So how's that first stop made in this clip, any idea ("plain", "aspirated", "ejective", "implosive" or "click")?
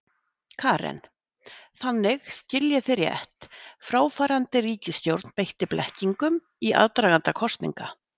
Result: aspirated